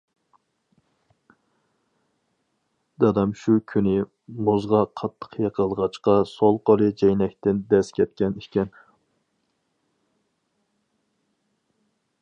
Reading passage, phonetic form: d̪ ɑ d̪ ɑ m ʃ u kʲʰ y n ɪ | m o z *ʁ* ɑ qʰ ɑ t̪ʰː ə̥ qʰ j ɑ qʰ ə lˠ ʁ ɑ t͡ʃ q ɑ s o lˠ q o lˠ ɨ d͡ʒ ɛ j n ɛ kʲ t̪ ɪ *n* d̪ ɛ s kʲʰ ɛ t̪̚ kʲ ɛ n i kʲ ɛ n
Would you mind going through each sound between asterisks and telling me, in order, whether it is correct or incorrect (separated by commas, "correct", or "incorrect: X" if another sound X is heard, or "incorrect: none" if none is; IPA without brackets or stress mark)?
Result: correct, correct